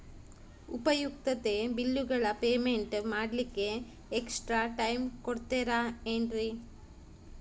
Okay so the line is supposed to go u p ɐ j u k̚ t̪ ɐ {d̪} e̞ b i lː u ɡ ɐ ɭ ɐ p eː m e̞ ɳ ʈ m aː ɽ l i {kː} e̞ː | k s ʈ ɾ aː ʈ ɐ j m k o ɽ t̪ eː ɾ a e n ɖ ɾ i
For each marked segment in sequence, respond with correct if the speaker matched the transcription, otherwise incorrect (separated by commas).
incorrect, correct